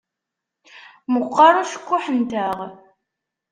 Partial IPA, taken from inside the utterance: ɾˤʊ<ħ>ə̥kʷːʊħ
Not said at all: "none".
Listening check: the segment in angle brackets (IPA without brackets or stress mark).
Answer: ʃ